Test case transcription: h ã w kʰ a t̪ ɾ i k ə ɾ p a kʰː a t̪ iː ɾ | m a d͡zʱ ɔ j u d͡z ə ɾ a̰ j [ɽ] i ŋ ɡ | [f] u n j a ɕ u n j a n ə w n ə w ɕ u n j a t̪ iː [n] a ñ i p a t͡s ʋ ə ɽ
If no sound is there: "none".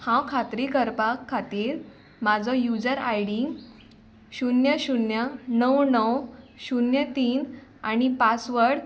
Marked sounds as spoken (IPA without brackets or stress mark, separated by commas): ɽ, ɕ, n